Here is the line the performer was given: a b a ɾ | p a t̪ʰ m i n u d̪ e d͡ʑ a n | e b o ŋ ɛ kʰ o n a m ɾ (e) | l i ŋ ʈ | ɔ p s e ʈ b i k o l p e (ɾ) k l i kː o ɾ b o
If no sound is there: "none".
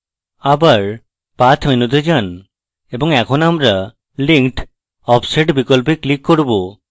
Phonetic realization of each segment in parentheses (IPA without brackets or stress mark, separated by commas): a, none